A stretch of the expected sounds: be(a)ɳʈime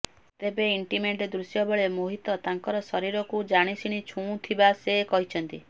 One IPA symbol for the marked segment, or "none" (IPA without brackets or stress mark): i